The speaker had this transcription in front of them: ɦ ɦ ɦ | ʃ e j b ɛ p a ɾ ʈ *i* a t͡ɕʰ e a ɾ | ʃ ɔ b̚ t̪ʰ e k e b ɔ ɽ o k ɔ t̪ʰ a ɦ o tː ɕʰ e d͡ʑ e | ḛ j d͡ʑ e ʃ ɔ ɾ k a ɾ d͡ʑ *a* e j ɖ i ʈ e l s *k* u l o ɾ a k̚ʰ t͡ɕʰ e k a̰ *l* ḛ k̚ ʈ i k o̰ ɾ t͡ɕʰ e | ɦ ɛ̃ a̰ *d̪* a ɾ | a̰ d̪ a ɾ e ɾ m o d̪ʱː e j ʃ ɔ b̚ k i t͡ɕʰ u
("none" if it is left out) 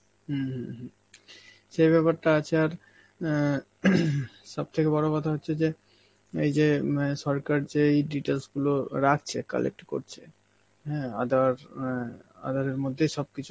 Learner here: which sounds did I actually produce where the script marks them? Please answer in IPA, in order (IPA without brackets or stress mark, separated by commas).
a, e, ɡ, l, d̪